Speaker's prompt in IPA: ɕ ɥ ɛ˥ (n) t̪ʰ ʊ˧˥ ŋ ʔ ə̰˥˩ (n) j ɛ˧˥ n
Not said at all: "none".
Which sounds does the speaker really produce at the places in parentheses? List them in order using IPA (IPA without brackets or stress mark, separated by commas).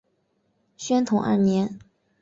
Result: n, n